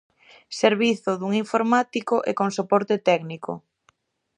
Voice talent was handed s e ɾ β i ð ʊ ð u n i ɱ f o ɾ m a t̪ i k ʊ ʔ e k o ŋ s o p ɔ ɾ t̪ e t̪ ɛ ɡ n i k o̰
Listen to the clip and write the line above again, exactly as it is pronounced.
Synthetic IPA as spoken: s e ɾ β i θ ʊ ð u ŋ i ɱ f o ɾ m a t̪ i k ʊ ʔ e k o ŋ s o p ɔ ɾ t̪ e t̪ ɛ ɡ n i k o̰